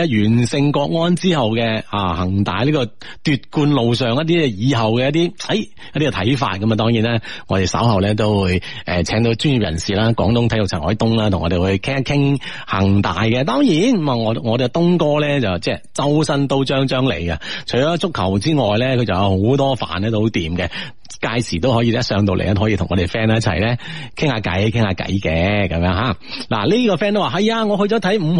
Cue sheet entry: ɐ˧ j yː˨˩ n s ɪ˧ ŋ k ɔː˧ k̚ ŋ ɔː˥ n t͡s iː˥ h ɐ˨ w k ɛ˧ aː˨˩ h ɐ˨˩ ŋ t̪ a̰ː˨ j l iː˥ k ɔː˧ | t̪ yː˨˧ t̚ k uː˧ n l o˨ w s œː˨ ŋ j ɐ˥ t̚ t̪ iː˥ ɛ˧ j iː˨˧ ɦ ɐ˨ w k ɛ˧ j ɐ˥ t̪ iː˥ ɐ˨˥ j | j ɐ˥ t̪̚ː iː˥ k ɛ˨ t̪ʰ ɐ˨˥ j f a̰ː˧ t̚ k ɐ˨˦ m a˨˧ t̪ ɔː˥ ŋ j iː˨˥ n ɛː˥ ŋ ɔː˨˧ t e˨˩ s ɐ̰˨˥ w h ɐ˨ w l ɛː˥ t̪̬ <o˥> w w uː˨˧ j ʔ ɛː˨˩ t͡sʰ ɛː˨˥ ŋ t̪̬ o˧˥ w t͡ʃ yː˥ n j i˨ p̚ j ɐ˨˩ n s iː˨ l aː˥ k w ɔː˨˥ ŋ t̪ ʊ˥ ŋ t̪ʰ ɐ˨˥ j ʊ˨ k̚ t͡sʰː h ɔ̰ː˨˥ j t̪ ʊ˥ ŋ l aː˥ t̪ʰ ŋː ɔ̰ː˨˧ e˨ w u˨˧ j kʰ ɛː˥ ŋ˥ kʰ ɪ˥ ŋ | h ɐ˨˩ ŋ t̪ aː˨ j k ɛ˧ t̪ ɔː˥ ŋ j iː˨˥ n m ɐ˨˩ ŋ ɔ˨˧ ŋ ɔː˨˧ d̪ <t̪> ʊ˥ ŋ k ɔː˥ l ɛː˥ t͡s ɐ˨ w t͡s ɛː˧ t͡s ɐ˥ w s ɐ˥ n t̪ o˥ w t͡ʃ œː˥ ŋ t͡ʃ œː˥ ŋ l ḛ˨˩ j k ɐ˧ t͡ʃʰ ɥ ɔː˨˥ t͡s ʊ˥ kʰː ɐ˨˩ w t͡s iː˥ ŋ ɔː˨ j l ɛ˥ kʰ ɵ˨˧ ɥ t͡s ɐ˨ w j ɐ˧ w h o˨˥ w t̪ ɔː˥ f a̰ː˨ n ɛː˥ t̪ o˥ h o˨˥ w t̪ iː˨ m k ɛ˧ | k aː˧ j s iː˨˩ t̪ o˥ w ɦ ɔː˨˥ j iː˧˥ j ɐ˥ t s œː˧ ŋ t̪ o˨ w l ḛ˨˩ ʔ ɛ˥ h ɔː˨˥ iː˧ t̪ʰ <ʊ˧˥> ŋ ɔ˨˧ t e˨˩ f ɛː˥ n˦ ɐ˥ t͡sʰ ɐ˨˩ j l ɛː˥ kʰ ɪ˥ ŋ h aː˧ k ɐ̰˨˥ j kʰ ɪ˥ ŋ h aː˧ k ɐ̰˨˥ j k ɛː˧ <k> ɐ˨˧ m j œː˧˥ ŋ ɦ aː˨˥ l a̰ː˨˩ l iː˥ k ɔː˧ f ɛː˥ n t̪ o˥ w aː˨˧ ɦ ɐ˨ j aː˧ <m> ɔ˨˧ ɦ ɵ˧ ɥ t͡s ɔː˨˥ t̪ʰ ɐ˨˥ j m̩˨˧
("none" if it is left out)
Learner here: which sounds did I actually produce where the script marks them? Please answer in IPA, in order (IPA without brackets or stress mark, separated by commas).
o˥, t̪, ʊ˨˩, k, ŋ